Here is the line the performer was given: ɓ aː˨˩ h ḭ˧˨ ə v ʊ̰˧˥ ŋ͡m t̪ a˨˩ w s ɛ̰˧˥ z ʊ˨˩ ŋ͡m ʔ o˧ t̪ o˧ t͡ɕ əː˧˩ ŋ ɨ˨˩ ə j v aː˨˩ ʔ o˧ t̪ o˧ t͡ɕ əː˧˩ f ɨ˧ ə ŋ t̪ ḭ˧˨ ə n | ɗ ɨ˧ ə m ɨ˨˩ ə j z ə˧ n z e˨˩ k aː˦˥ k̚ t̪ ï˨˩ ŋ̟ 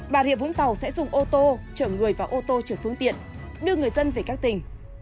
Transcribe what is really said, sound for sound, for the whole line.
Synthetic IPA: ɓ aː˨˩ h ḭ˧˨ ə v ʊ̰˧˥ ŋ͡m t̪ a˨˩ w s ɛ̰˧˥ z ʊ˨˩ ŋ͡m ʔ o˧ t̪ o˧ t͡ɕ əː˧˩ ŋ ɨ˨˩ ə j v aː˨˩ ʔ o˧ t̪ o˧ t͡ɕ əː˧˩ f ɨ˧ ə ŋ t̪ ḭ˧˨ ə n | ɗ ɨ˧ ə ŋ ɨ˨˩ ə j z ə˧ n v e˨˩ k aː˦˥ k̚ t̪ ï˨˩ ŋ̟